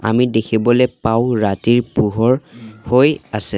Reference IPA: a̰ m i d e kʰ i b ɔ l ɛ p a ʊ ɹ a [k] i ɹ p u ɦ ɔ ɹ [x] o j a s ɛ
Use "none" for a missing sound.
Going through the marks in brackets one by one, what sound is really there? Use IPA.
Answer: t, h

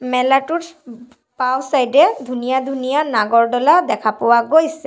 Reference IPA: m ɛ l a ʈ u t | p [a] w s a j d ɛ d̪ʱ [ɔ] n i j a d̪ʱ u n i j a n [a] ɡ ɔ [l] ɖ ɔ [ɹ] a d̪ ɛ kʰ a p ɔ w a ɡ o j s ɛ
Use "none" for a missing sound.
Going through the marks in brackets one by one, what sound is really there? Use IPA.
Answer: a, u, a, ɹ, l

